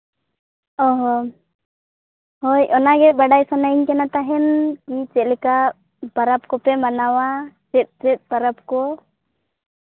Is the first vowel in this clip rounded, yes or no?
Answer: yes